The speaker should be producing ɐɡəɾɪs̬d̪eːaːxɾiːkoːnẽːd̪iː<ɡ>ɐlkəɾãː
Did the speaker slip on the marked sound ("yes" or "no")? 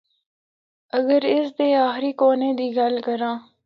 no